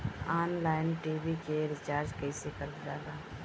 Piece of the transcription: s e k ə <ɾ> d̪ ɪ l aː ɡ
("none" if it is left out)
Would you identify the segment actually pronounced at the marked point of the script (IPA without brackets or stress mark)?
ɾ